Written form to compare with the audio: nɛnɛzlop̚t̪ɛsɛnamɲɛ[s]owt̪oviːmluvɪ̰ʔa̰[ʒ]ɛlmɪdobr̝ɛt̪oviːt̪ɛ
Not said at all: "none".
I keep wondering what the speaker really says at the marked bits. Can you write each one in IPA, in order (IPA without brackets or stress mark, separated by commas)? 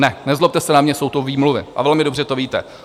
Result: s, v